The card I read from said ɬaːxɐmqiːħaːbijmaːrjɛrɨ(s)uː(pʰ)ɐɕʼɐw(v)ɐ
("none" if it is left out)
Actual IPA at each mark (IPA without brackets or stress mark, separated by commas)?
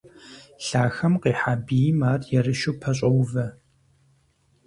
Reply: ʃ, pʰ, v